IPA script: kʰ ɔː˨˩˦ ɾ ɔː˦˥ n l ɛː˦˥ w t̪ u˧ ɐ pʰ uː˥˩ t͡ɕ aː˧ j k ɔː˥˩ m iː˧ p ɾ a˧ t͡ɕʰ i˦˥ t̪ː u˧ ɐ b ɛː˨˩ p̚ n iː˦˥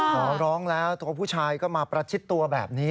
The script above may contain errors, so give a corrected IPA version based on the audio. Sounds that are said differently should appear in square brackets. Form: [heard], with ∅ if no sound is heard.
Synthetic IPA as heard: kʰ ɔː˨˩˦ ɾ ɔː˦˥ [ŋ] l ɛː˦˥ w t̪ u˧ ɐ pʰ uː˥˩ [t͡ɕʰ] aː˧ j k ɔː˥˩ m [aː˧] p ɾ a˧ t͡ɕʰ i˦˥ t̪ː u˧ ɐ b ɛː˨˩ p̚ n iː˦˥